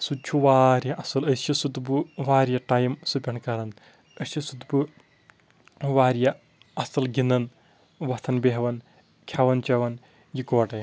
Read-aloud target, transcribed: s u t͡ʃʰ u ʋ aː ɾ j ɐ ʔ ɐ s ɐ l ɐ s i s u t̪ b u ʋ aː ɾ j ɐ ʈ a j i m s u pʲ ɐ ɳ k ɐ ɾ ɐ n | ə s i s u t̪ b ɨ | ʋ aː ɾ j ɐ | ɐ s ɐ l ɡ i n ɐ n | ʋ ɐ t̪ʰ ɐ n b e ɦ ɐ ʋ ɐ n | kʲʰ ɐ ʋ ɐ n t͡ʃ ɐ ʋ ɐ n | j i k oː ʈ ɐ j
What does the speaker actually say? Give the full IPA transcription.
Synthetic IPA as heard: s u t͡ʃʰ u ʋ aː ɾ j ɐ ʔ ɐ s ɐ l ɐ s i s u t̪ b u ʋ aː ɾ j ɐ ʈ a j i m s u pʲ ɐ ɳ k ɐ ɾ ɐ n | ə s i s u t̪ b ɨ | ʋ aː ɾ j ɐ | ɐ s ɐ l ɡ i n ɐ n | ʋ ɐ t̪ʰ ɐ n b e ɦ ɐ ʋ ɐ n | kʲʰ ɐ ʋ ɐ n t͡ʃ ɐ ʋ ɐ n | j i k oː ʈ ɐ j